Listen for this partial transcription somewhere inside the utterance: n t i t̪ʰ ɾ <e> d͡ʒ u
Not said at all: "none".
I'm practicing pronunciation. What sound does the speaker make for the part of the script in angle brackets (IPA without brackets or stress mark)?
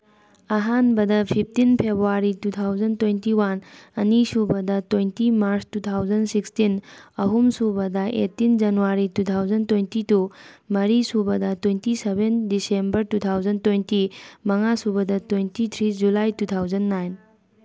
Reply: i